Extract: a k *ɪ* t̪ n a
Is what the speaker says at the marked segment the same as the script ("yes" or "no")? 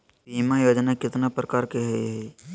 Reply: yes